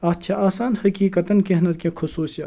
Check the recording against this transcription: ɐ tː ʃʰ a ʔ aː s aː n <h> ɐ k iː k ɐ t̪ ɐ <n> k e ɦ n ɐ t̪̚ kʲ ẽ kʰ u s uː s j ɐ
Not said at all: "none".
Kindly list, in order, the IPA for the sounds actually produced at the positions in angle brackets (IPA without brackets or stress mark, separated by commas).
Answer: h, n